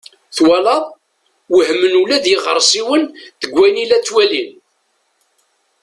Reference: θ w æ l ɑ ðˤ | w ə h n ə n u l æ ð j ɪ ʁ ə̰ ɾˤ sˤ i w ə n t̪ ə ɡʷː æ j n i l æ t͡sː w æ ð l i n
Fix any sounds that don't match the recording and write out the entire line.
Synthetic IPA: θ w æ l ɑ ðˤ | w ə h m ə n u l æ ð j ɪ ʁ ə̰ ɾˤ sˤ i w ə n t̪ ə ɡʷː æ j n i l æ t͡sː w æ l i n